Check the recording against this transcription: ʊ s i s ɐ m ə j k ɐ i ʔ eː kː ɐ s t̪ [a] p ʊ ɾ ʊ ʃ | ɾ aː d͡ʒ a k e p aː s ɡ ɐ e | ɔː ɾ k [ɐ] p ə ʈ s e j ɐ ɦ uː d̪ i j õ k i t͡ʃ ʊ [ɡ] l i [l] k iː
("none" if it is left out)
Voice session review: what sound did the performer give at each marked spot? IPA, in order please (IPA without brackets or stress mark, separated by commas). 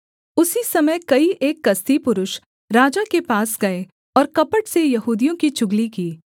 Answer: i, ɐ, ɡ, none